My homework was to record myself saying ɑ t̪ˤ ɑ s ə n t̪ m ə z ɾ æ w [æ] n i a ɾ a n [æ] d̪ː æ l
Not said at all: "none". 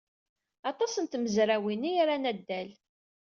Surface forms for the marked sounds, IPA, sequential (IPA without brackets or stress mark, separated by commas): i, æ